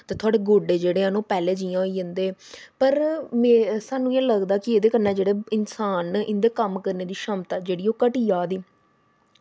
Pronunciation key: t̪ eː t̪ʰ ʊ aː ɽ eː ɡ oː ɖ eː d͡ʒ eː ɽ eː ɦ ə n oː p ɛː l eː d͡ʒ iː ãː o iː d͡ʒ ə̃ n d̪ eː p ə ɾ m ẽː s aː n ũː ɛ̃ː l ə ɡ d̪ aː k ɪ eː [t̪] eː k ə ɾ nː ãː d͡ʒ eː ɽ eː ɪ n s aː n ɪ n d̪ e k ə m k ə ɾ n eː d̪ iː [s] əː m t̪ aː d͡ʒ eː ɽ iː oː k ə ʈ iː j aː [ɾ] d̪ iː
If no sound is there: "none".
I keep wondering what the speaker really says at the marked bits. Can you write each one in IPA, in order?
d̪, ʃ, none

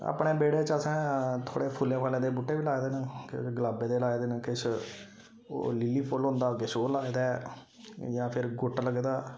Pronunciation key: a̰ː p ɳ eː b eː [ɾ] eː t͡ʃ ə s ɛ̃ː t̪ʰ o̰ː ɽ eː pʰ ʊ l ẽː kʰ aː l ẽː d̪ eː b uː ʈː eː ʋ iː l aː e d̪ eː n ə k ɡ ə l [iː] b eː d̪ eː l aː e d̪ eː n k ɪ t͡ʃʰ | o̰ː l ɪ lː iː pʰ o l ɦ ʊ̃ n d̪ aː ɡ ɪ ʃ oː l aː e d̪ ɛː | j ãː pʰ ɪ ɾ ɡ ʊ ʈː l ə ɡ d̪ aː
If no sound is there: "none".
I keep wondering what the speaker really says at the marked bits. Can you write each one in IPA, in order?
ɽ, aː

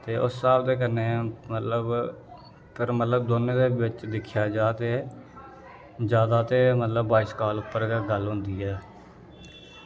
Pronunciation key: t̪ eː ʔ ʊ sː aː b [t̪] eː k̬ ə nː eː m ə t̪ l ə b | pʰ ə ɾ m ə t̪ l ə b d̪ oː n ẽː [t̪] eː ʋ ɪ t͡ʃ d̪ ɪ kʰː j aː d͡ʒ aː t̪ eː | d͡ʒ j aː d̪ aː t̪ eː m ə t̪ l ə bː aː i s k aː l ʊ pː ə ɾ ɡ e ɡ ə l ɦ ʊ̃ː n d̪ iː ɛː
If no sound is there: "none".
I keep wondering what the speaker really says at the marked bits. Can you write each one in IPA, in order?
d̪, d̪

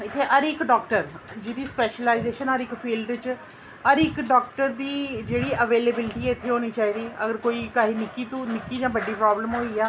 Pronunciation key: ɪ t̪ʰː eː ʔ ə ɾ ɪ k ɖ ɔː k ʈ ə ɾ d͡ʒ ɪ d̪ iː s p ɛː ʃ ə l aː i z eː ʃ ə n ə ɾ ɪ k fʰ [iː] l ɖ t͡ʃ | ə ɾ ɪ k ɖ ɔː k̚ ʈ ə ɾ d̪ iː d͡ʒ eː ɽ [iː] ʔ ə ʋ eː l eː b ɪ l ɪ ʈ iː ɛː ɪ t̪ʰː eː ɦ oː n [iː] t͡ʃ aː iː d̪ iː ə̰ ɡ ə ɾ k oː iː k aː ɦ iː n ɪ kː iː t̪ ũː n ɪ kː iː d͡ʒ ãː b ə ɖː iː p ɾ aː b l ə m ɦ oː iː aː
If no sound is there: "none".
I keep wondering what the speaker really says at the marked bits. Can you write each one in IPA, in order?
iː, iː, iː

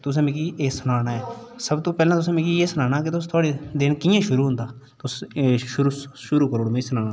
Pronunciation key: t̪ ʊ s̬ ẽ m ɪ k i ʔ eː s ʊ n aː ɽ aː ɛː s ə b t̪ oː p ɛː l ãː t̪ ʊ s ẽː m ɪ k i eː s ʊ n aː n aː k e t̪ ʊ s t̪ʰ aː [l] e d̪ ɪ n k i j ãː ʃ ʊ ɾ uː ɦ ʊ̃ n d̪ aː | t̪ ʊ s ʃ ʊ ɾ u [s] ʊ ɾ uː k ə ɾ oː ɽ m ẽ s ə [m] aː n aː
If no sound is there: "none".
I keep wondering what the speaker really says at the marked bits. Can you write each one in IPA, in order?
ɽ, ʃ, n

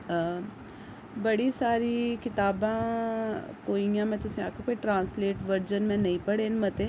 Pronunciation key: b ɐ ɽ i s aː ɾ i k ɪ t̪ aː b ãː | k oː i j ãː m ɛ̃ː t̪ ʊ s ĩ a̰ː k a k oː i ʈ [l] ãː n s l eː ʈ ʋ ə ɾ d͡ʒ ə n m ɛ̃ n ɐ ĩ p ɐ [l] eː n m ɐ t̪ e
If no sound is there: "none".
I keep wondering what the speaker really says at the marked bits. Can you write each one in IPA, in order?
ɾ, ɽ

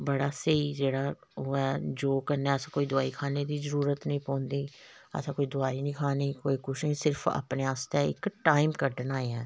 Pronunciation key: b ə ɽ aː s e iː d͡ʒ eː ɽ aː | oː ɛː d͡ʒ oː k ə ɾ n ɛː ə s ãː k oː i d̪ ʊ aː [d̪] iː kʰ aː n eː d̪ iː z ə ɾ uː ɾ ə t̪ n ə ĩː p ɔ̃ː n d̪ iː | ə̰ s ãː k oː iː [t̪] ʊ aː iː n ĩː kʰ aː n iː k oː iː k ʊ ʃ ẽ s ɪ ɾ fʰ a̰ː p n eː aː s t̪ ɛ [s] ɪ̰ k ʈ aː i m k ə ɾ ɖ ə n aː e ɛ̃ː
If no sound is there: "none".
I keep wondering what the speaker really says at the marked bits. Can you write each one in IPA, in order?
none, d̪, none

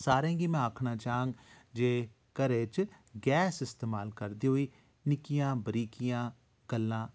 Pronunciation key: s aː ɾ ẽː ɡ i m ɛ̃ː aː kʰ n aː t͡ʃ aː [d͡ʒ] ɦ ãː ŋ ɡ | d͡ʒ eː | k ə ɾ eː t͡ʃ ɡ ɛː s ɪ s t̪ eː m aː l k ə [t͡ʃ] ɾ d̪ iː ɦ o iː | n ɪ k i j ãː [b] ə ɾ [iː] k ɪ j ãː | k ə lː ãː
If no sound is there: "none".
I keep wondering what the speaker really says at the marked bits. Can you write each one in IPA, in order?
none, none, b, iː

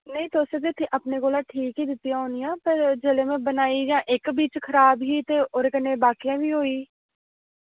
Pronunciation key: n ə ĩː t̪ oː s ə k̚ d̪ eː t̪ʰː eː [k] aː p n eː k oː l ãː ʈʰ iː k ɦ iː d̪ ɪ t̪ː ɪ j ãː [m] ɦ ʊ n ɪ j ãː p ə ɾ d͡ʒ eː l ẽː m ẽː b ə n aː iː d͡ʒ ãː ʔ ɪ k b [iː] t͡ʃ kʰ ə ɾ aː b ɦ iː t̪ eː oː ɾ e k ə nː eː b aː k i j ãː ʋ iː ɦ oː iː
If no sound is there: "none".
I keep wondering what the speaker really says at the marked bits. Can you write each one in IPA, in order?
ʔ, none, iː

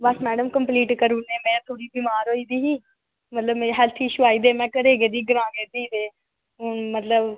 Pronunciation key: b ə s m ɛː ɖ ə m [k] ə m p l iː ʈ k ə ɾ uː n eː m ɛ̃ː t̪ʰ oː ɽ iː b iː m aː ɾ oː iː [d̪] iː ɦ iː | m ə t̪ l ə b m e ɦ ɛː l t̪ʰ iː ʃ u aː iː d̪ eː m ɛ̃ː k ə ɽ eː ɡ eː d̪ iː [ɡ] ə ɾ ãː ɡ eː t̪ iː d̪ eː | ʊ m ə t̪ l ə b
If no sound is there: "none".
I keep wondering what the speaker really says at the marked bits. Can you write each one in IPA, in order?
k, d̪, ɡ

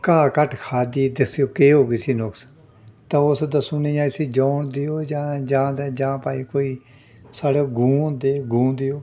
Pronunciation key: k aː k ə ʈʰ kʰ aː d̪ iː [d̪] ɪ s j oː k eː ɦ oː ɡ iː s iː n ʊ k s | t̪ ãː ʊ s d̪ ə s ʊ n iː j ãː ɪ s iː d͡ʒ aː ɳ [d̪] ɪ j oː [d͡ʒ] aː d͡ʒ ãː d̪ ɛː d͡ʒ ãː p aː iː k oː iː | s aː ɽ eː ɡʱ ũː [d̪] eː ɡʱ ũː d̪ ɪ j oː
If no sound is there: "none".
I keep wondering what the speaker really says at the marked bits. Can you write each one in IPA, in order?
d̪, d̪, d͡ʒ, d̪

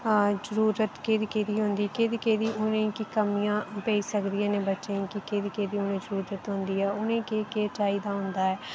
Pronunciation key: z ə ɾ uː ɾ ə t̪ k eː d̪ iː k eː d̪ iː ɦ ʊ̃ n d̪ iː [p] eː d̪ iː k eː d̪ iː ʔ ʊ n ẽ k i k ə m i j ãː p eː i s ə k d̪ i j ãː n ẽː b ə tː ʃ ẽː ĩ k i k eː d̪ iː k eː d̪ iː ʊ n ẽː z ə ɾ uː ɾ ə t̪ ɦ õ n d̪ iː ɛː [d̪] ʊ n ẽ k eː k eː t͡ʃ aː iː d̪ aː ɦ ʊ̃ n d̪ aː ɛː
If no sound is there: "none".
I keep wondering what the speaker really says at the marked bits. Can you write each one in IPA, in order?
k, none

